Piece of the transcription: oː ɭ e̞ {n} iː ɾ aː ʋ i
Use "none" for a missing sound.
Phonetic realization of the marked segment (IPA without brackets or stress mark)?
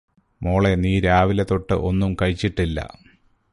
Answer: n